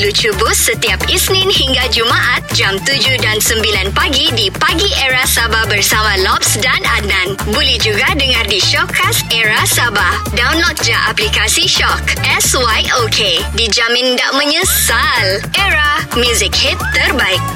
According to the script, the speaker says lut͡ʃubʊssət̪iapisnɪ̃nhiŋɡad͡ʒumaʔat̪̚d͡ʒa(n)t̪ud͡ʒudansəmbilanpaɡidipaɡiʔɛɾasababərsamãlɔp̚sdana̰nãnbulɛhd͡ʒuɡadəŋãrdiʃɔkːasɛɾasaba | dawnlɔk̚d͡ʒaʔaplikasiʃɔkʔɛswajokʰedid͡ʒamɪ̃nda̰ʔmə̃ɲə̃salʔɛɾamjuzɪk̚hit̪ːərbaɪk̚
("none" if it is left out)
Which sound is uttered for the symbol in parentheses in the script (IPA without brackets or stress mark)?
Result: m